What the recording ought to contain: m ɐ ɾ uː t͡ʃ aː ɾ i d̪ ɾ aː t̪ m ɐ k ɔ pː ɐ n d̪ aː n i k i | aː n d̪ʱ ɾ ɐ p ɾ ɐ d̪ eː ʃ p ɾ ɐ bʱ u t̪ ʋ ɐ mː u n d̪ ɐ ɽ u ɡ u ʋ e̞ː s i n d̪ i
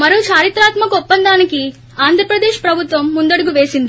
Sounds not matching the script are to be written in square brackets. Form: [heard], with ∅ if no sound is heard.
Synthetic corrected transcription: m ɐ ɾ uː t͡ʃ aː ɾ i [t̪] ɾ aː t̪ m ɐ k ɔ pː ɐ n d̪ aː n i k i | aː n d̪ʱ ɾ ɐ p ɾ ɐ d̪ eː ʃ p ɾ ɐ bʱ u t̪ ʋ ɐ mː u n d̪ ɐ ɽ u ɡ u ʋ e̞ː s i n d̪ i